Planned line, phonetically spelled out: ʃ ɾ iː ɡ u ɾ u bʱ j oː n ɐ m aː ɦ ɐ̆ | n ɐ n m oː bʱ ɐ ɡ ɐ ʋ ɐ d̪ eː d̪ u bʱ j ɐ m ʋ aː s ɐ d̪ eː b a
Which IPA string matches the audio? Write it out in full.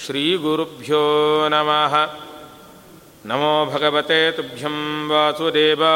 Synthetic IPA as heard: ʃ ɾ iː ɡ u ɾ u bʱ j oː n ɐ m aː ɦ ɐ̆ | n ɐ m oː bʱ ɐ ɡ ɐ ʋ ɐ t̪ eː t̪ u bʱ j ɐ m ʋ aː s ɐ d̪ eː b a